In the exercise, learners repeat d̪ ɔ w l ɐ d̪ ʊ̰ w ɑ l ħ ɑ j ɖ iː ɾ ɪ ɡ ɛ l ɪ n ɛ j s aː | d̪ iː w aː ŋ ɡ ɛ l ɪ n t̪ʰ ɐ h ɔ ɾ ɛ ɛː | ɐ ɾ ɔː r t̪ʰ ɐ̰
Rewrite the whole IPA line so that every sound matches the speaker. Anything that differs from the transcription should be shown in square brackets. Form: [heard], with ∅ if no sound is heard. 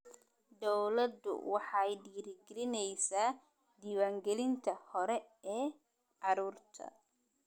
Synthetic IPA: d̪ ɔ w l ɐ d̪ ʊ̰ w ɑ [∅] ħ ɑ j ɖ iː ɾ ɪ ɡ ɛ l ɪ n ɛ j s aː | d̪ iː w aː ŋ ɡ ɛ l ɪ n t̪ʰ ɐ h ɔ ɾ ɛ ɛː | [ɑ] ɾ [uː] r t̪ʰ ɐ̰

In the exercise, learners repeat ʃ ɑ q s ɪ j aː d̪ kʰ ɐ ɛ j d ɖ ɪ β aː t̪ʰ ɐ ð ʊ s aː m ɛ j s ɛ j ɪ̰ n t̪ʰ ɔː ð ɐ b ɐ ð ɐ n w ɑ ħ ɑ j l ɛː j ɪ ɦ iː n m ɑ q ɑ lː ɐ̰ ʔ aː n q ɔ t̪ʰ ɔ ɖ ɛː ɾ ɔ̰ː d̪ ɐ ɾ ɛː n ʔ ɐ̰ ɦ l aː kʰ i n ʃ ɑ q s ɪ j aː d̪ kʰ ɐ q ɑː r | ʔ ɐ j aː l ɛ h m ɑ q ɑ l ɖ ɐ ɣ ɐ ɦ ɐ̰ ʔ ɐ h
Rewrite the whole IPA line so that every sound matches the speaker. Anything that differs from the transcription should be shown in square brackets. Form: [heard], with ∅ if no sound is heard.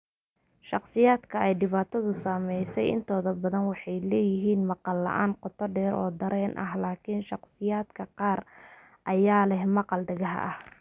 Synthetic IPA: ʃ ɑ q s ɪ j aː d̪ kʰ ɐ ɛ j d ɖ ɪ β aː t̪ʰ ɐ ð ʊ s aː m ɛ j s ɛ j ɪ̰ n t̪ʰ ɔː ð ɐ b ɐ ð ɐ n w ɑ ħ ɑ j l ɛː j ɪ ɦ iː n m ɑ q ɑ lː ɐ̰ ʔ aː n q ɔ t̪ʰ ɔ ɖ ɛː ɾ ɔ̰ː d̪ ɐ ɾ ɛː n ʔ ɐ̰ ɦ l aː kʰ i n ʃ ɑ q s ɪ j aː d̪ kʰ ɐ q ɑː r | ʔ ɐ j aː l ɛ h m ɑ q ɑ l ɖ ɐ ɣ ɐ ɦ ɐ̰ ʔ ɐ h

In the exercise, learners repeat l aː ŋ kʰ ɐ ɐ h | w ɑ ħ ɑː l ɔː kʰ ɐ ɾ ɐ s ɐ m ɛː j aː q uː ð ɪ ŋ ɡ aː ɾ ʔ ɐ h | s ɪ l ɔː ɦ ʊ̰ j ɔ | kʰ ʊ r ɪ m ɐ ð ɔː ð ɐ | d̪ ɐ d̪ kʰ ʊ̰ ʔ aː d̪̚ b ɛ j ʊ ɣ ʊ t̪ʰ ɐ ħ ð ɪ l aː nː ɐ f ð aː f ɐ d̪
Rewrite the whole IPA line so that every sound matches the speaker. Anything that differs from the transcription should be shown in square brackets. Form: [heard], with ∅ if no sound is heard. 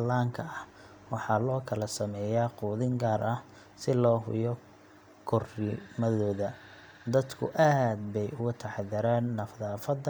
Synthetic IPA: l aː ŋ kʰ ɐ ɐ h | w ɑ ħ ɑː l ɔː kʰ ɐ [l] ɐ s ɐ m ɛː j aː q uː ð ɪ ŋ ɡ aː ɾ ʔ ɐ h | s ɪ l ɔː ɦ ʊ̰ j ɔ | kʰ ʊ r ɪ m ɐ ð ɔː ð ɐ | d̪ ɐ d̪ kʰ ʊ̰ ʔ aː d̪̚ b ɛ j ʊ ɣ ʊ t̪ʰ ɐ ħ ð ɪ [ɾ] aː nː ɐ f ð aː f ɐ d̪

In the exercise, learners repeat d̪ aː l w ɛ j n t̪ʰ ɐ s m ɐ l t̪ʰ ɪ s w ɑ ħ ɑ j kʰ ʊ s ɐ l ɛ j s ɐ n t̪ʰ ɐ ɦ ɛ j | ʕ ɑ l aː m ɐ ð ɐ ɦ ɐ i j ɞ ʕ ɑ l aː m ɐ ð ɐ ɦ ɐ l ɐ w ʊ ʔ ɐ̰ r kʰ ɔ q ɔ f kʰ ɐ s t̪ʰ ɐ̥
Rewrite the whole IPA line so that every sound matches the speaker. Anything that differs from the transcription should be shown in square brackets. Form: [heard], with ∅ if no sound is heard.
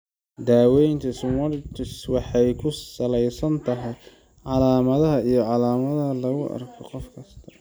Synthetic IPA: d̪ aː [∅] w ɛ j n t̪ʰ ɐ s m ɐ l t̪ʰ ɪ s w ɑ ħ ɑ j kʰ ʊ s ɐ l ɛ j s ɐ n t̪ʰ ɐ ɦ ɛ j | ʕ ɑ l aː m ɐ ð ɐ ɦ ɐ i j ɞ ʕ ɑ l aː m ɐ ð ɐ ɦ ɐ l ɐ [ɣ] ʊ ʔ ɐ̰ r kʰ ɔ q ɔ f kʰ ɐ s t̪ʰ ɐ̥

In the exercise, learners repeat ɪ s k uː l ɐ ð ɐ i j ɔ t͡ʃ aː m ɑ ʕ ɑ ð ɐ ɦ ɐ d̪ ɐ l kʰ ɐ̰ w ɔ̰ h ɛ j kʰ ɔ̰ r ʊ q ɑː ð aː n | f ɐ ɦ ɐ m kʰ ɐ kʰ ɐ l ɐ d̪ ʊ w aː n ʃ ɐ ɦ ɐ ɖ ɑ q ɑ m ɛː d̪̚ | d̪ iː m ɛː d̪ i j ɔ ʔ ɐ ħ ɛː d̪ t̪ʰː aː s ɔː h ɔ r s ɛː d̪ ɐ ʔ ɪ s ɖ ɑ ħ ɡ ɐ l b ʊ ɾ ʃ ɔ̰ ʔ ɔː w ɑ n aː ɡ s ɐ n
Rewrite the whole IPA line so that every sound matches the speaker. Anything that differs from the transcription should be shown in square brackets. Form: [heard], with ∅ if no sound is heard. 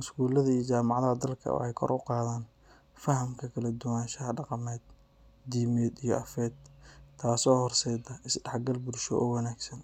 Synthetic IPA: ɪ s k uː l ɐ ð ɐ i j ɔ t͡ʃ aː m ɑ ʕ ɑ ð ɐ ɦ ɐ d̪ ɐ l kʰ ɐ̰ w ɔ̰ [ħ] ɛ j kʰ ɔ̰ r ʊ q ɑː ð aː n | f ɐ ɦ ɐ m kʰ ɐ kʰ ɐ l ɐ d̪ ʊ w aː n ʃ ɐ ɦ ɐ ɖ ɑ q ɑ m ɛː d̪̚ | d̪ iː m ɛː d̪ i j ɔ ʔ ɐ [f] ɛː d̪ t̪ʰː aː s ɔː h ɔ r s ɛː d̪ ɐ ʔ ɪ s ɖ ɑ ħ ɡ ɐ l b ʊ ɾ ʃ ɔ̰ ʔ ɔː w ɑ n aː ɡ s ɐ n

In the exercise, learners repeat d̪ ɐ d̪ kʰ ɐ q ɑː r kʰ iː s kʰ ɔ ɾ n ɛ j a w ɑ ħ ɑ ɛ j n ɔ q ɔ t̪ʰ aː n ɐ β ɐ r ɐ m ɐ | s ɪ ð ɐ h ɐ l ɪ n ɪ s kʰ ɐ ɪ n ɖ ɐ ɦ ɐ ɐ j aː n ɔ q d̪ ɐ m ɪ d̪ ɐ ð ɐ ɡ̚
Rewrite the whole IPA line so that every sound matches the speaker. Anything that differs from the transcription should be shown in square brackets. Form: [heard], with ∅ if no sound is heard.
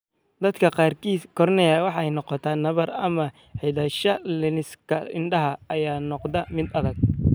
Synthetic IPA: d̪ ɐ d̪ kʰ ɐ q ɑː r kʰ iː s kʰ ɔ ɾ n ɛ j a w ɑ ħ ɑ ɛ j n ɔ q ɔ t̪ʰ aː n ɐ β ɐ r ɐ m ɐ | [ħ] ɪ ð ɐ [ʃ] ɐ l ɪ n ɪ s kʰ ɐ ɪ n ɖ ɐ ɦ ɐ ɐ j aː n ɔ q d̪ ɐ m ɪ d̪ ɐ ð ɐ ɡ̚

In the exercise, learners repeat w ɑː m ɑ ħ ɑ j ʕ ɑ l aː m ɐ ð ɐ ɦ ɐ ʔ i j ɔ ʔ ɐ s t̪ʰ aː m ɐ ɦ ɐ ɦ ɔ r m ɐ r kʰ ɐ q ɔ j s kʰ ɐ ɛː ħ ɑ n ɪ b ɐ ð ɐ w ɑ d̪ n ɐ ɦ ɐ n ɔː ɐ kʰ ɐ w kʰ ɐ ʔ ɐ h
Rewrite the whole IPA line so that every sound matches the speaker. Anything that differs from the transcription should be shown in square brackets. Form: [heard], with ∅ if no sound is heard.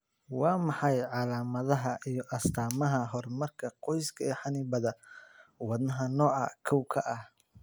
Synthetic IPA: w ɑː m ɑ ħ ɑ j ʕ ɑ l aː m ɐ ð ɐ ɦ ɐ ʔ i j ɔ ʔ ɐ s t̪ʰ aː m ɐ ɦ ɐ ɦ ɔ r m ɐ r kʰ ɐ q ɔ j s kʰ ɐ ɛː ħ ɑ n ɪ b ɐ ð ɐ w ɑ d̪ n ɐ ɦ ɐ n ɔː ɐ kʰ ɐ w kʰ ɐ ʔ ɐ h

